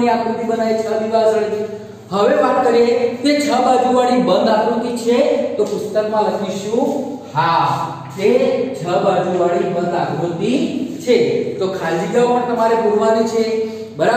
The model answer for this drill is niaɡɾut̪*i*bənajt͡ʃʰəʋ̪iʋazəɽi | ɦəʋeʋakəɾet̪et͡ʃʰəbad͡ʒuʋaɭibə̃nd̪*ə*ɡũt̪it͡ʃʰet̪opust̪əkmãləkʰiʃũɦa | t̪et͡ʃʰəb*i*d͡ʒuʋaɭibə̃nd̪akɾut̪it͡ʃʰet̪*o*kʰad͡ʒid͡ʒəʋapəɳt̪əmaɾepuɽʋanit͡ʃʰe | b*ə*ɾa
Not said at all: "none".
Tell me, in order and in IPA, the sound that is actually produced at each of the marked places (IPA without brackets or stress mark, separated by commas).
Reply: i, a, a, o, ə